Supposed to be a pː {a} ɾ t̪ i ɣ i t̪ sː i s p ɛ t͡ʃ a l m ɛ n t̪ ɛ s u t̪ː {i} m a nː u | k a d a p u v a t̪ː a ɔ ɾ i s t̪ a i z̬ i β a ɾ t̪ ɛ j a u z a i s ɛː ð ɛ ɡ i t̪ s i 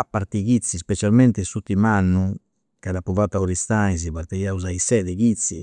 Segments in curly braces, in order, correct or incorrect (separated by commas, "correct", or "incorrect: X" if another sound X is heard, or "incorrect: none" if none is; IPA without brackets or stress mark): correct, correct